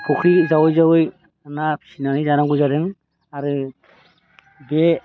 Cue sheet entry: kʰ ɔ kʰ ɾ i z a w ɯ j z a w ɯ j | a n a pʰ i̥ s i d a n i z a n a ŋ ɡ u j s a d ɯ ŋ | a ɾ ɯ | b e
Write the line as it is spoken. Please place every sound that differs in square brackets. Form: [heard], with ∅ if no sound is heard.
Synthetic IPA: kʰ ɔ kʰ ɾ i z a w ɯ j z a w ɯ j | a n a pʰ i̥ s i [n] a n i z a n a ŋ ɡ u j [z] a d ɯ ŋ | a ɾ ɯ | b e